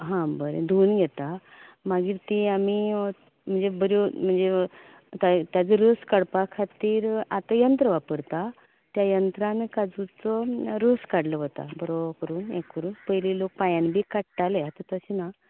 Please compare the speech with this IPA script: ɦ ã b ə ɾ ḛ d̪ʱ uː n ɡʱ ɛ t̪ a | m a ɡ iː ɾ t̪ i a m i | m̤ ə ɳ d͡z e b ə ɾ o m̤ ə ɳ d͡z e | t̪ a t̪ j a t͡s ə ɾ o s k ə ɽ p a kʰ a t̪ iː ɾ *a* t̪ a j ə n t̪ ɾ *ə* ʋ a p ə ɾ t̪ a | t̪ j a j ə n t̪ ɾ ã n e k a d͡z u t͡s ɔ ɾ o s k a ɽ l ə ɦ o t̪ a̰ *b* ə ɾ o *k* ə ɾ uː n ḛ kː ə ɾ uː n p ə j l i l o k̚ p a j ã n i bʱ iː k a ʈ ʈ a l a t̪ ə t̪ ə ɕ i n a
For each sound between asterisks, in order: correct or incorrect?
correct, correct, correct, correct

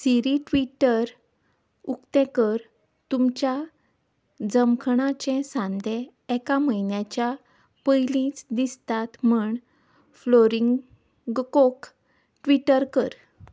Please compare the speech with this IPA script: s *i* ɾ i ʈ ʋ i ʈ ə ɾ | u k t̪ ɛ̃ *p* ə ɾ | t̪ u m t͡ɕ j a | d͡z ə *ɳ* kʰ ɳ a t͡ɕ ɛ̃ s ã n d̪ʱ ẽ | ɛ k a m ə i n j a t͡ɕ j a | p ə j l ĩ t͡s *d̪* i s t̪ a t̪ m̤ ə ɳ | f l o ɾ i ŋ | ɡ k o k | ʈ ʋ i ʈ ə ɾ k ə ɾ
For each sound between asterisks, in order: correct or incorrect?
correct, incorrect: k, incorrect: m, correct

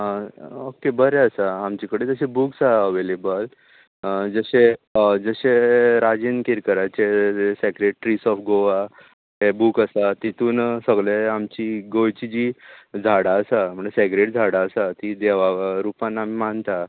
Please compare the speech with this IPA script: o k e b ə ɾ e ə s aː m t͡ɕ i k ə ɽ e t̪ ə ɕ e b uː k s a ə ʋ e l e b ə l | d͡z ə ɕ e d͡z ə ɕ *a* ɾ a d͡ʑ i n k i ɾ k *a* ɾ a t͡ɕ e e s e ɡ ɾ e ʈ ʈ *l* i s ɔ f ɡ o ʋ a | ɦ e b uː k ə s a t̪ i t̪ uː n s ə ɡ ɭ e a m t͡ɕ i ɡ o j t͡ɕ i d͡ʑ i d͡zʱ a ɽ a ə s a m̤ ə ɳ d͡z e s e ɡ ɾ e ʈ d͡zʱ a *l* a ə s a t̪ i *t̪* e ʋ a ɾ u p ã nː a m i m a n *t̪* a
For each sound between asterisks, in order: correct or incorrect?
incorrect: e, incorrect: ə, incorrect: ɾ, incorrect: ɽ, incorrect: d̪, correct

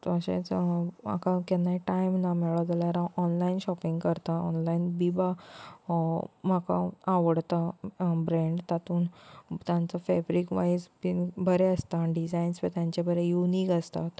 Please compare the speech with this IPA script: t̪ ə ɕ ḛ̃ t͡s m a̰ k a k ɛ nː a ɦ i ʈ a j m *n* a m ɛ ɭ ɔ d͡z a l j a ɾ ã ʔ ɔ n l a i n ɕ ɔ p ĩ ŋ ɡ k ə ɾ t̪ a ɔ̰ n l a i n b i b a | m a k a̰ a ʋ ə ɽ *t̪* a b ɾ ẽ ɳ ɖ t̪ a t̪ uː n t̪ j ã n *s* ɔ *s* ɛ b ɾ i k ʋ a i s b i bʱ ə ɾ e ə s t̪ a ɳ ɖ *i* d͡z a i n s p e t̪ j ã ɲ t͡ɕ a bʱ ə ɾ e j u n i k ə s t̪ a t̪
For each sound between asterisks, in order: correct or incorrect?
correct, correct, incorrect: t͡s, incorrect: f, correct

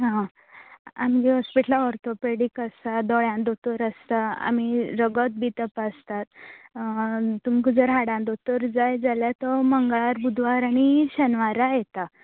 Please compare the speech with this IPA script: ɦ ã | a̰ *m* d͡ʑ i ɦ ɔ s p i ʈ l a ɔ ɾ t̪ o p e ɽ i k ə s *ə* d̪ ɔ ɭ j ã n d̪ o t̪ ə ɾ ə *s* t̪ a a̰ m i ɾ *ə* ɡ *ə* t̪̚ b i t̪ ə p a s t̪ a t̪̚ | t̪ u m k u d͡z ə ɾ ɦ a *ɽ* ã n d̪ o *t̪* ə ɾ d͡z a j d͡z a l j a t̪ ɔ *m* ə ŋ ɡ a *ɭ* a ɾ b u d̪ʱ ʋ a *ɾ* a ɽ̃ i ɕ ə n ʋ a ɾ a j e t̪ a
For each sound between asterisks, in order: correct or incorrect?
correct, incorrect: a, correct, correct, correct, correct, correct, correct, correct, correct

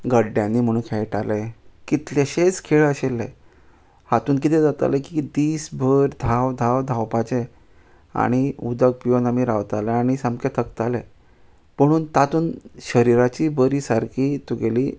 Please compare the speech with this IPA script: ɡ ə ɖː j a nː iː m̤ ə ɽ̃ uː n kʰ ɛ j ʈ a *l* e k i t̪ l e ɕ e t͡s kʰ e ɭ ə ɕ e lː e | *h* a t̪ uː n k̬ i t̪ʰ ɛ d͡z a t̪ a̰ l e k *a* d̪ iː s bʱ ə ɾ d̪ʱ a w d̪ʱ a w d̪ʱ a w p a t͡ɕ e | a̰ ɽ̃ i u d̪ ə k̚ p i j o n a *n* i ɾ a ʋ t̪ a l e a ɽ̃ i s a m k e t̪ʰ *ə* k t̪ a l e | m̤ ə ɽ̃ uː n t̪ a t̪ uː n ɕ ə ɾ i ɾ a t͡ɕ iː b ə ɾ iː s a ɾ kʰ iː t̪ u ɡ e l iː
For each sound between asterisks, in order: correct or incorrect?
correct, correct, incorrect: i, incorrect: m, correct

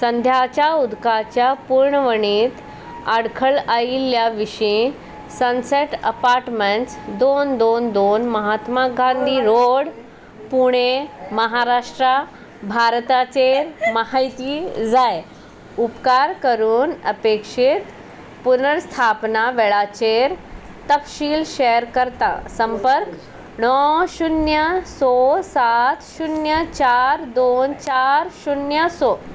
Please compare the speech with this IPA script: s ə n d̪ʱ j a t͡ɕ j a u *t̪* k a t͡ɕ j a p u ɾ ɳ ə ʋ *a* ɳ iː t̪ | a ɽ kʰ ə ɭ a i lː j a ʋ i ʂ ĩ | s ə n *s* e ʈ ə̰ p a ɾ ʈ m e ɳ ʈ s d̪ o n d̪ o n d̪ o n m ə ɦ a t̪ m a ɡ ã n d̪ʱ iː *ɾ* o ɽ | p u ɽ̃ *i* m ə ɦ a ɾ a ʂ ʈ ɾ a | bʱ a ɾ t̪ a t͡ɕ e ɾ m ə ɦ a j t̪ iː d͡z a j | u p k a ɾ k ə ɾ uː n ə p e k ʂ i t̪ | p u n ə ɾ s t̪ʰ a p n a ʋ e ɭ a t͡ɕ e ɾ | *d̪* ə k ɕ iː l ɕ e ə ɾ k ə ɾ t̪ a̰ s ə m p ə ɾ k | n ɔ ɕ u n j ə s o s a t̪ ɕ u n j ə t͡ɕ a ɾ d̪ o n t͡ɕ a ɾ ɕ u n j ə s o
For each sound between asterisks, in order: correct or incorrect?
incorrect: d̪, incorrect: ə, correct, correct, incorrect: e, incorrect: t̪

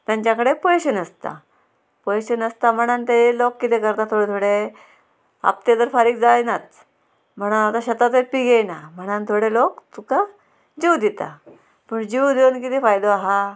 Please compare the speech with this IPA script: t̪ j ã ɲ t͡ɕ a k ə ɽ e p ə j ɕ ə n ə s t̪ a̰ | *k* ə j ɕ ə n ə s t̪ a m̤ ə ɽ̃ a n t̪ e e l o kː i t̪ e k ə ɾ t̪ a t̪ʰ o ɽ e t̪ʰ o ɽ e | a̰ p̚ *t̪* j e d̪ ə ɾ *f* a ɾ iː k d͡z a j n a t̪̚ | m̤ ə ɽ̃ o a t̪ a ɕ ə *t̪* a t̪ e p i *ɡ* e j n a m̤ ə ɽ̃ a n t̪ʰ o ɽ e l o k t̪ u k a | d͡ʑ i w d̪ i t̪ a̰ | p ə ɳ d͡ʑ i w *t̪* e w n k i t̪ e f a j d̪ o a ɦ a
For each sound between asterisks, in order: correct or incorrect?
incorrect: p, correct, correct, correct, correct, incorrect: d̪

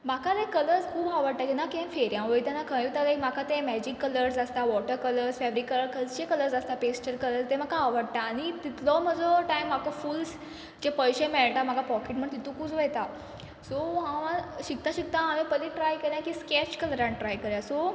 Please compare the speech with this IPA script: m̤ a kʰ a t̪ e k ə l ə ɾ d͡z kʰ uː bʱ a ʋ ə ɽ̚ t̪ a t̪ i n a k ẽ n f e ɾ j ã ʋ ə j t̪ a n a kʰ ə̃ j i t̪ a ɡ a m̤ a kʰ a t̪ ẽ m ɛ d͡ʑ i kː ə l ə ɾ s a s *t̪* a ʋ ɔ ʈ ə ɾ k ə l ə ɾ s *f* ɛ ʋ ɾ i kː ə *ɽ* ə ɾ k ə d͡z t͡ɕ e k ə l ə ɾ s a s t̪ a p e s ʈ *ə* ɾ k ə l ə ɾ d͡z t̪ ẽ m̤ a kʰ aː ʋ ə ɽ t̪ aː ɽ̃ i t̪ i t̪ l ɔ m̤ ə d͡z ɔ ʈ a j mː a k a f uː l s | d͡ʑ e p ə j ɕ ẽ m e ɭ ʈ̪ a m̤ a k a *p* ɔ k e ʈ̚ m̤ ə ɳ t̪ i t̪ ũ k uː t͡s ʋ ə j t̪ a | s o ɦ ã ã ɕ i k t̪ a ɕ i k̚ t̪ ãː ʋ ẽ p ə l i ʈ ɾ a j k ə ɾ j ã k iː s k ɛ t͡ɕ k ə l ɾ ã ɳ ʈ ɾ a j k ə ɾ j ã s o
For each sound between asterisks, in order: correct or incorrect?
correct, correct, incorrect: l, correct, correct

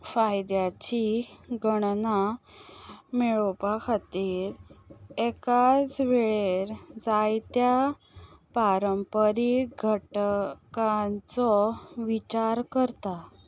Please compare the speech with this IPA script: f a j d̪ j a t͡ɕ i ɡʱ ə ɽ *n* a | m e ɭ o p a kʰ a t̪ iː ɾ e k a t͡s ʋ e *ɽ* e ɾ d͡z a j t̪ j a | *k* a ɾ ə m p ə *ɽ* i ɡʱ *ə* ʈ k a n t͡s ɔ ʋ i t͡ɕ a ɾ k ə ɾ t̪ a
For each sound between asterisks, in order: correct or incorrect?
correct, incorrect: ɭ, incorrect: p, incorrect: ɾ, correct

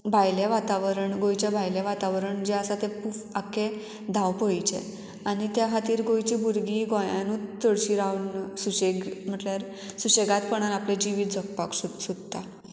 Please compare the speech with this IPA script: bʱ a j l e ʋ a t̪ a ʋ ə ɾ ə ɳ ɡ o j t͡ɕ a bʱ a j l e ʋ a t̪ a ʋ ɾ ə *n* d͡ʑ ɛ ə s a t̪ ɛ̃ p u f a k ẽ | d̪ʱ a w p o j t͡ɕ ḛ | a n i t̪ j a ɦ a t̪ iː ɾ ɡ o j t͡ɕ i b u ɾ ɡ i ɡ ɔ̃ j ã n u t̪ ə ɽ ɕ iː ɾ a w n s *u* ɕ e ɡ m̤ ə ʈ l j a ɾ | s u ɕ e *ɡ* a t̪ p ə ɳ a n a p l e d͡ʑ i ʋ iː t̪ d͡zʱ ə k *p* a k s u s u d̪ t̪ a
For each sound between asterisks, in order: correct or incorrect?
incorrect: ɳ, correct, correct, correct

